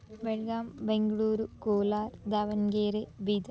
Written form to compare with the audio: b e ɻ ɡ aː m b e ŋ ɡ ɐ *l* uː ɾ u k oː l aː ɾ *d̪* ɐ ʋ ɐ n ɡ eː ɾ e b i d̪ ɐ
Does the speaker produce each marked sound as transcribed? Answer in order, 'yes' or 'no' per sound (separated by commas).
no, yes